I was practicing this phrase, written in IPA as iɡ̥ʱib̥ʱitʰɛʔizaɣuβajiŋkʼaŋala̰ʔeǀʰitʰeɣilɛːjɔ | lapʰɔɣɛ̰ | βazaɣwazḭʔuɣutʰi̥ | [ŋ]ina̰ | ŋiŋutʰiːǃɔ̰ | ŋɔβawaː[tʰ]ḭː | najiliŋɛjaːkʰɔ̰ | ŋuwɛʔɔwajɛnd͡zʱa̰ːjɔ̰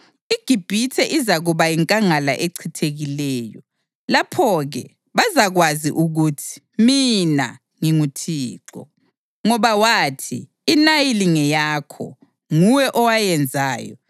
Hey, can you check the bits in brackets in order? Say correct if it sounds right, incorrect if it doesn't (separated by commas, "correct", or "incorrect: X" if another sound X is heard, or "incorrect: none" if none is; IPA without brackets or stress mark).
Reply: incorrect: m, correct